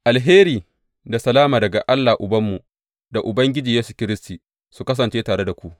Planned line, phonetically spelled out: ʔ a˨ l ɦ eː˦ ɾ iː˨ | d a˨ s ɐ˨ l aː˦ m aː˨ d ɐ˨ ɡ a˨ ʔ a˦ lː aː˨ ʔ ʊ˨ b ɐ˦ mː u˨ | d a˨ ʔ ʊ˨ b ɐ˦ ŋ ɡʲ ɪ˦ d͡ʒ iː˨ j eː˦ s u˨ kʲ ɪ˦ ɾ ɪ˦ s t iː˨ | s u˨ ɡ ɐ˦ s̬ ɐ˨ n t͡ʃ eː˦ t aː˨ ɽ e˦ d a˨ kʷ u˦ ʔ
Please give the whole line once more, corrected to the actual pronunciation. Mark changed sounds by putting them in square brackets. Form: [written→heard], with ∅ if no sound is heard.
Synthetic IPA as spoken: ʔ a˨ l ɦ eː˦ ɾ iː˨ | d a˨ s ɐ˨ l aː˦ m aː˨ d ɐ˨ ɡ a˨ ʔ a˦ lː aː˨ ʔ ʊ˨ b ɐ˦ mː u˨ | d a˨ ʔ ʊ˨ b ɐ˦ ŋ ɡʲ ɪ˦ d͡ʒ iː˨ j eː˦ s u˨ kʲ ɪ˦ ɾ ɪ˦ s t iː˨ | s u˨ [ɡ→k] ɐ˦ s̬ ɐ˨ n t͡ʃ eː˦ t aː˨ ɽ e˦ d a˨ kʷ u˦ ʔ